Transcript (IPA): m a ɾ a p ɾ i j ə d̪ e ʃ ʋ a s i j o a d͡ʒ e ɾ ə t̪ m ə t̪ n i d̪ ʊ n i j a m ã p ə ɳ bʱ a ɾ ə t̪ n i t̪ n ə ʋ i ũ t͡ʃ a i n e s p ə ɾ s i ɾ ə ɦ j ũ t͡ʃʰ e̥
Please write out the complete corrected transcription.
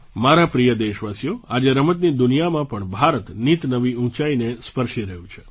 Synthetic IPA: m a ɾ a p ɾ i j ə d̪ e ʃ ʋ a s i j o a d͡ʒ e ɾ ə m ə t̪ n i d̪ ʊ n i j a m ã p ə ɳ bʱ a ɾ ə t̪ n i t̪ n ə ʋ i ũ t͡ʃ a i n e s p ə ɾ ʃ i ɾ ə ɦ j ũ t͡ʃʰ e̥